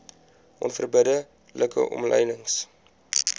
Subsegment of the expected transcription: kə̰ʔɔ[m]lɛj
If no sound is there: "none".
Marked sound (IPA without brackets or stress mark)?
m